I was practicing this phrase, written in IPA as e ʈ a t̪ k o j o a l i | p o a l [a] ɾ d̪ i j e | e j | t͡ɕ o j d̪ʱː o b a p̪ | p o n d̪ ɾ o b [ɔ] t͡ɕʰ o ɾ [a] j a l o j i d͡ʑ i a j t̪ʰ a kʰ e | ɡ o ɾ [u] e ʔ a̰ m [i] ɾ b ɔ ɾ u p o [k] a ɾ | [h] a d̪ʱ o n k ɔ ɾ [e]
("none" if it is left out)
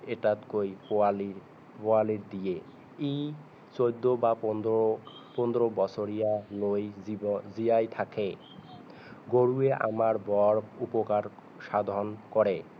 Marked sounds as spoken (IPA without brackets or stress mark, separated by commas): i, ɔ, i, u, a, k, ʃ, e